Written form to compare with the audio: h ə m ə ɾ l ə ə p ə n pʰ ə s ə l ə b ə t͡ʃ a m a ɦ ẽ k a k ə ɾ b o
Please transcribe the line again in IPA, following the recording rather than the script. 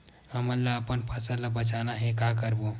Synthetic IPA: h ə m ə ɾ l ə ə p ə n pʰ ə s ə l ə b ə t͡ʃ a n a ɦ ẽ k a k ə ɾ b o

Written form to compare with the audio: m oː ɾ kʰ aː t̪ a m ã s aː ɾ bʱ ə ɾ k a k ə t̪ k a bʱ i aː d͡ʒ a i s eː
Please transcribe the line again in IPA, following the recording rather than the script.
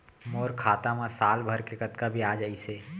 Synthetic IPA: m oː ɾ kʰ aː t̪ a m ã s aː l bʱ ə ɾ k e k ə t̪ k a bʱ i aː d͡ʒ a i s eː

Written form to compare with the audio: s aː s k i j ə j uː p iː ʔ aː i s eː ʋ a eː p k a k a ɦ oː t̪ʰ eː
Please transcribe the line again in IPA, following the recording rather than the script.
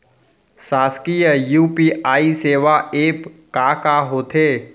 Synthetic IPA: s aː s k i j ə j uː p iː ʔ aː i s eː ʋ a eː p k a k a ɦ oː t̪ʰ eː

